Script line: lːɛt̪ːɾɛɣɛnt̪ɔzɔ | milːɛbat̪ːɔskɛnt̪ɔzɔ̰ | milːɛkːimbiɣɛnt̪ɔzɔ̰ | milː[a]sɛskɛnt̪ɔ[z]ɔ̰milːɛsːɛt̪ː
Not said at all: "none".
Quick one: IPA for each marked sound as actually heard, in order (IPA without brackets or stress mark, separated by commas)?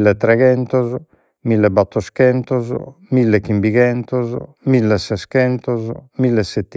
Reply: ɛ, z